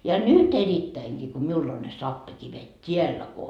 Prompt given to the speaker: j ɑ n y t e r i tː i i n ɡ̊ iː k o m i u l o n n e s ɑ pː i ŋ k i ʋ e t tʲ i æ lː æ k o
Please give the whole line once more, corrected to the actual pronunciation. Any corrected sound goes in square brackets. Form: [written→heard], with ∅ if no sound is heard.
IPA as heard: j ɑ n y t e r i tː [i→æ] i [n→ŋ] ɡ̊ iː k o m i u l o n n e s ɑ pː i [ŋ→∅] k i ʋ e t tʲ i æ lː æ k o